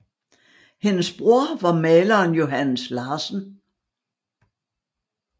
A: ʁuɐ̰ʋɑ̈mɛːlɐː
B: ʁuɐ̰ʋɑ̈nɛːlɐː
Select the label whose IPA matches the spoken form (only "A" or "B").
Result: A